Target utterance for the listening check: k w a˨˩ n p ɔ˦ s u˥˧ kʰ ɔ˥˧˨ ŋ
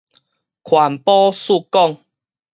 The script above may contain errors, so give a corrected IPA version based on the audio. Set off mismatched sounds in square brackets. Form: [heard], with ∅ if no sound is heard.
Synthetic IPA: [kʰ] w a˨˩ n p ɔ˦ s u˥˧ [k] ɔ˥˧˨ ŋ